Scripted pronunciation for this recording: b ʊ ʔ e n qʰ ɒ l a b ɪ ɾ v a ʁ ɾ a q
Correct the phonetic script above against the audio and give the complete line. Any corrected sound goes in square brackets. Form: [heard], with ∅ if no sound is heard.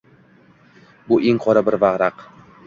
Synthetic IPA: b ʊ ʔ e [ŋ] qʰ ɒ [ɾ] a b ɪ ɾ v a ʁ ɾ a q